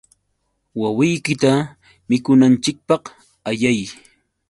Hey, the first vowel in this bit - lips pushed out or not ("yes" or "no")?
no